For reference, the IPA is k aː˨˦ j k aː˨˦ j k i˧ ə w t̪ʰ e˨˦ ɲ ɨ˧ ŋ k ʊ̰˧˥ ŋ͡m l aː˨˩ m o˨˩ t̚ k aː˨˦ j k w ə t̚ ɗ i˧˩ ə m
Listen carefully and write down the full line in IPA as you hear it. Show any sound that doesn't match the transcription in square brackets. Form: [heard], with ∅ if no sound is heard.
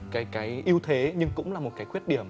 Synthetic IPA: k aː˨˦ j k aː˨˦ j [ʔ] i˧ ə w t̪ʰ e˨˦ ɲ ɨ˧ ŋ k ʊ̰˧˥ ŋ͡m l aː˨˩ m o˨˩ t̚ k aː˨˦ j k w ə t̚ ɗ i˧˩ ə m